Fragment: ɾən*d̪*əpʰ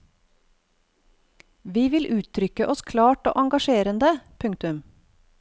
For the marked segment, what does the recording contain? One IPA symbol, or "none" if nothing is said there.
d̪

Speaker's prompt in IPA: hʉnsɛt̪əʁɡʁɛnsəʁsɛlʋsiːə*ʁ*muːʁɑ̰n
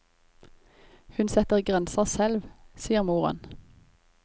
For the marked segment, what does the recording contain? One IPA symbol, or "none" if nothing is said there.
ʁ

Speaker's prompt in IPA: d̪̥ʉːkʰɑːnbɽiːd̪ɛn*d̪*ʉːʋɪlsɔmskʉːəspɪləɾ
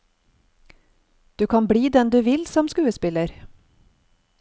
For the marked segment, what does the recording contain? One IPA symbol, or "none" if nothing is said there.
d̪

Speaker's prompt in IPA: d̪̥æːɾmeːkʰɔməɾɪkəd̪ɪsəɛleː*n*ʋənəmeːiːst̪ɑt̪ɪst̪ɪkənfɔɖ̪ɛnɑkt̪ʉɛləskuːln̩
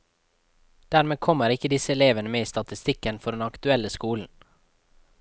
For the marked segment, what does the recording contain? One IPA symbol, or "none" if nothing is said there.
none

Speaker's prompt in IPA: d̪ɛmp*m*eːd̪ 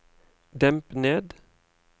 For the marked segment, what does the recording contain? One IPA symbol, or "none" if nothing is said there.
n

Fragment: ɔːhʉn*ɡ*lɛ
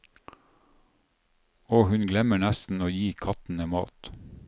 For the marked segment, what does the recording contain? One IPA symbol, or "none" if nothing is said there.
ɡ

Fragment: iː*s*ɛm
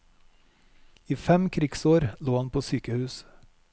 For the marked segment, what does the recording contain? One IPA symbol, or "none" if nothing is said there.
f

